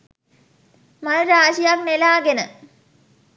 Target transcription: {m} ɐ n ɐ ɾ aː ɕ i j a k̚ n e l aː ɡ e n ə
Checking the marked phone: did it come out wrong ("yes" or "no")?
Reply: no